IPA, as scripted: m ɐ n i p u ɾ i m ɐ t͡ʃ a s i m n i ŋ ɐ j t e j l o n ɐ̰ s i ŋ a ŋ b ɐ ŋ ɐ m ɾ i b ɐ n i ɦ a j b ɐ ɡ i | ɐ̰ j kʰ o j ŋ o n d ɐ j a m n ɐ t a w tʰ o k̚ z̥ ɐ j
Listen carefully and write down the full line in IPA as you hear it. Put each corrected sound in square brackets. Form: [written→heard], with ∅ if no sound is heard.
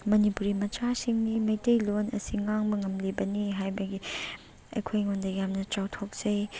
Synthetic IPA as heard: m ɐ n i p u ɾ i m ɐ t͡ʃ a s i [m→ŋ] n i [ŋ→m] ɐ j t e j l o n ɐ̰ s i ŋ a ŋ b ɐ ŋ ɐ m [ɾ→l] i b ɐ n i ɦ a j b ɐ ɡ i | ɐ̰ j kʰ o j ŋ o n d ɐ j a m n ɐ [t→t͡ʃ] a w tʰ o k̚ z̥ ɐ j